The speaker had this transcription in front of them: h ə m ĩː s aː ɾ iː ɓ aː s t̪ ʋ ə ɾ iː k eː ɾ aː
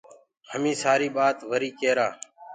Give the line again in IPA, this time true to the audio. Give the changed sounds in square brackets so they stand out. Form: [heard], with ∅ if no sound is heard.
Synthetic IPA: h ə m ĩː s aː ɾ iː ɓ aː [∅] t̪ ʋ ə ɾ iː k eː ɾ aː